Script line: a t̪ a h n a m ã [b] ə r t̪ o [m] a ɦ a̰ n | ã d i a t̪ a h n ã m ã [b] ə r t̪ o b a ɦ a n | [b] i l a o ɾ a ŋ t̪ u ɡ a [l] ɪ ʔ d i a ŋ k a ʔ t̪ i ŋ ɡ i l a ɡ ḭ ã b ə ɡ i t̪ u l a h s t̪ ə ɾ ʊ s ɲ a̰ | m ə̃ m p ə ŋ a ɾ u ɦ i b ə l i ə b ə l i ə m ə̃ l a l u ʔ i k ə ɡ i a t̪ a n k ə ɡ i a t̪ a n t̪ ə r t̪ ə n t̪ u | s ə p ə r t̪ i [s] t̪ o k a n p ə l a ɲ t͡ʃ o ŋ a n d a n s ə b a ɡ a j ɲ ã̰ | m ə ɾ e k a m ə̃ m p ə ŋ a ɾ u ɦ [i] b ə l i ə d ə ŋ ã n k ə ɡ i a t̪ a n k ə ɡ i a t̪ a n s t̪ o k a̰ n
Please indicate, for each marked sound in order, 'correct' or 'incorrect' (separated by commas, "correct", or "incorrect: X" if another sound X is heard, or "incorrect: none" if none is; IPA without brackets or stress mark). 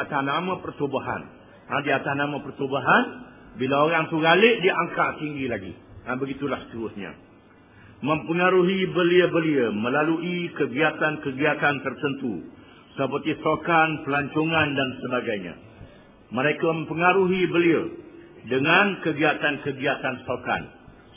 incorrect: p, incorrect: b, incorrect: p, correct, correct, correct, correct